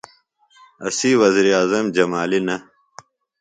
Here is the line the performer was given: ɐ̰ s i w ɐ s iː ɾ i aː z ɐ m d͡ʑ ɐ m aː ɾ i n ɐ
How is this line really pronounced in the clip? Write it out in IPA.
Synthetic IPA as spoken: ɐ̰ s i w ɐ z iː ɾ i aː z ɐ m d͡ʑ ɐ m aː l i n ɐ